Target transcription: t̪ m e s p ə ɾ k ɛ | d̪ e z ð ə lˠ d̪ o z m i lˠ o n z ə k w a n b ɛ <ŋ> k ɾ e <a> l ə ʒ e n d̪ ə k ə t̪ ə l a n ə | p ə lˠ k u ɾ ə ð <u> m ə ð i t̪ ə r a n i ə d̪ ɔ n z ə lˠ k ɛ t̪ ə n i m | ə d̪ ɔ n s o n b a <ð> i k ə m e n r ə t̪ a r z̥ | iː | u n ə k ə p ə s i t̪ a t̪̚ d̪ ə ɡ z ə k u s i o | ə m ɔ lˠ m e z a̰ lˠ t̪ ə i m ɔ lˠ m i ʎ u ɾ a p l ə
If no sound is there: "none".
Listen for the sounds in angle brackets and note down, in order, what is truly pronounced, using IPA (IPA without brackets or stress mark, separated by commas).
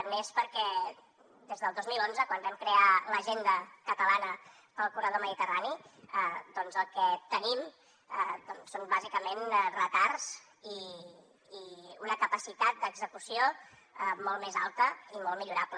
m, a, o, z